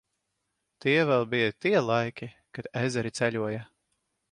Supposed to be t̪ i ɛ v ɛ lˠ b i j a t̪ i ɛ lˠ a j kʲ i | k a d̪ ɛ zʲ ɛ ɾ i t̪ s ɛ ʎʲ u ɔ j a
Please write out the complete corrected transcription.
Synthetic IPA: t̪ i ɛ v ɛ lˠ b i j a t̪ i ɛ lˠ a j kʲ i | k a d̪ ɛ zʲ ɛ ɾ i t̪ s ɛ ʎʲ u ɔ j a